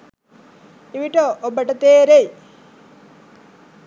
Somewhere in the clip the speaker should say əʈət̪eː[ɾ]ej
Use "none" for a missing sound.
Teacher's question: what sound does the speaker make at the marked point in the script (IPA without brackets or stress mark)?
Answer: ɾ